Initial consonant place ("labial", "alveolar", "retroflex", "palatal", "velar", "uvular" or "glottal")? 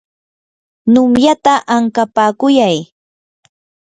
alveolar